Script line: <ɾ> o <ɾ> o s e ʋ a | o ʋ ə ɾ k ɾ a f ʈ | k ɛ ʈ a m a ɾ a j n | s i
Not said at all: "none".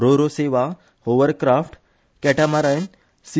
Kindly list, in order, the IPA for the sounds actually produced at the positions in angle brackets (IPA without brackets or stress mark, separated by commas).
ɾ, ɾ